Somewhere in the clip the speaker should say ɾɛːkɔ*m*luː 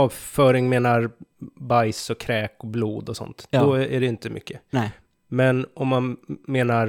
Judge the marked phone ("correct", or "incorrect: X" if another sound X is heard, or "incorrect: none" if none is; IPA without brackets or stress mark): incorrect: b